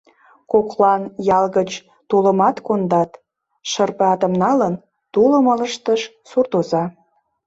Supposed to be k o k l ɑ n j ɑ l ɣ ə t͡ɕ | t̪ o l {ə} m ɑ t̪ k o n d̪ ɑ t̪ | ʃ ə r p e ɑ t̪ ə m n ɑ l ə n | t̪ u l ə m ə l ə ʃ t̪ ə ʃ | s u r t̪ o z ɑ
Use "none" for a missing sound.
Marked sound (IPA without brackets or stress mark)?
ə